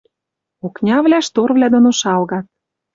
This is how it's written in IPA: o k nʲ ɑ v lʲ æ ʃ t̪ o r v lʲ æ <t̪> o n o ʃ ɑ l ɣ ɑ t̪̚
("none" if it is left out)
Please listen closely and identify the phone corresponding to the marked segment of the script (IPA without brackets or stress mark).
d̪